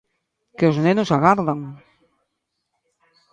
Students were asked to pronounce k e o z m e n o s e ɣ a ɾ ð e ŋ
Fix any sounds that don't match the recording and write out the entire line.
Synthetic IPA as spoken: k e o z n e n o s a ɣ a ɾ ð a ŋ